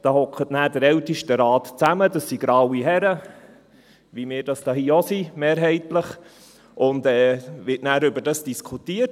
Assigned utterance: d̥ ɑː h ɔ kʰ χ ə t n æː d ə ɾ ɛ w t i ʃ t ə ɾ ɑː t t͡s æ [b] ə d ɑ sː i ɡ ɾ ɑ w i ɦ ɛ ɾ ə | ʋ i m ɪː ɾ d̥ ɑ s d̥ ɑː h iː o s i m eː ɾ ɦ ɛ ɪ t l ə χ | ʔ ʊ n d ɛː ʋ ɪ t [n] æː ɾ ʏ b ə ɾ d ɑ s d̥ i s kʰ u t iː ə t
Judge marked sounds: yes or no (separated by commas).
no, yes